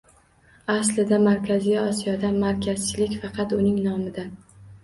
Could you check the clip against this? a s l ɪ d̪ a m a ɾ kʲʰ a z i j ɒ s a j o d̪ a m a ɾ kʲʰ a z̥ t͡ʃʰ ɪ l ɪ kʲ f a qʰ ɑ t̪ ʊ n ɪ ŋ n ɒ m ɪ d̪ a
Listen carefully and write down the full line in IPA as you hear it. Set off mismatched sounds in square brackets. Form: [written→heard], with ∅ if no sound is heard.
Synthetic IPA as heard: a s l ɪ d̪ a m a ɾ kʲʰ a z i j ɒ s [a→i] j [o→ɒ] d̪ a m a ɾ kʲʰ a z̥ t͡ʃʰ ɪ l ɪ kʲ f [a→ɑ] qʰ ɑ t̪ ʊ n ɪ ŋ n ɒ m ɪ d̪ a